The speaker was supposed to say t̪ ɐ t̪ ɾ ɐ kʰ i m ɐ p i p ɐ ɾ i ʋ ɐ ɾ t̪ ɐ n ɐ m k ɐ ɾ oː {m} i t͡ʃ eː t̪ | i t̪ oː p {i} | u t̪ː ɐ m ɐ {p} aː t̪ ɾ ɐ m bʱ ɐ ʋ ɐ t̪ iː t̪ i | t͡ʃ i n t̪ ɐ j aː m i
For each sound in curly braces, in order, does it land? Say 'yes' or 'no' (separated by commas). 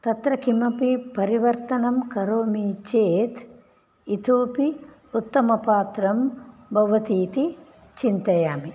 yes, yes, yes